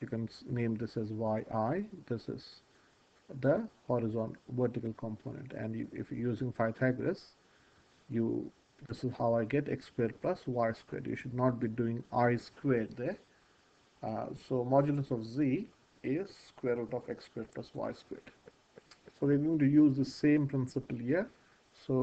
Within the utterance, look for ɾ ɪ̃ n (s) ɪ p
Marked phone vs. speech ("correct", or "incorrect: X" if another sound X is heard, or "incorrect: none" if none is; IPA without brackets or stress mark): correct